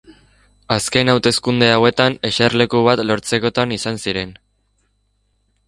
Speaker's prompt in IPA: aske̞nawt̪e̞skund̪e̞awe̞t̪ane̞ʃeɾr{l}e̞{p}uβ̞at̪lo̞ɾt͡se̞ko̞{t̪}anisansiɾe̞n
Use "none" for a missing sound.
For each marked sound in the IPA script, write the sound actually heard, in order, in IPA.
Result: l, k, t̪

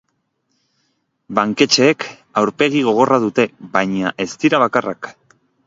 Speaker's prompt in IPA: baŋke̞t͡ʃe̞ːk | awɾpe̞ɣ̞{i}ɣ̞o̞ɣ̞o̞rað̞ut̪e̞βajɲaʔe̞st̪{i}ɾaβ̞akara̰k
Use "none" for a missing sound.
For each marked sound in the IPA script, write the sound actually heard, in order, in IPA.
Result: i, i

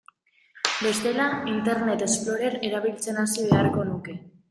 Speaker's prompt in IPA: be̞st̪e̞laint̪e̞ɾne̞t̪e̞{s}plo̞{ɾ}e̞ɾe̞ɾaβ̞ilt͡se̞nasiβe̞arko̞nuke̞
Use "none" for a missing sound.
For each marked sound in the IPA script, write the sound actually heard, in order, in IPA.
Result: s, ɾ

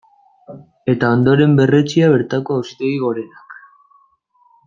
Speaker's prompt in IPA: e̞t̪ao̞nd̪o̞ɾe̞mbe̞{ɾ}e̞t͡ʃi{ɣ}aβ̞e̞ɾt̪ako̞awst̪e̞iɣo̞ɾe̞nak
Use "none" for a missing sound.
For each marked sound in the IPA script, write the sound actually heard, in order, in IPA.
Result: r, none

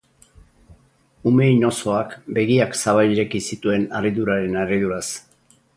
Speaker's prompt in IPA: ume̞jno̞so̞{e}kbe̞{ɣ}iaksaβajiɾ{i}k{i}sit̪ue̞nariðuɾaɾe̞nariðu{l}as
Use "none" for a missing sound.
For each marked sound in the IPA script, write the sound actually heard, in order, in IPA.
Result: a, ɣ, e, i, ɾ

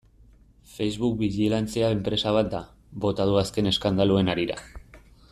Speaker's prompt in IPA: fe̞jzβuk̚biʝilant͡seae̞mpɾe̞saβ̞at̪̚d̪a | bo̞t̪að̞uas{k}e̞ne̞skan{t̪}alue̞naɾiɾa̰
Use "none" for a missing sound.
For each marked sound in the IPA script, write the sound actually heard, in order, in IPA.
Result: k, d̪

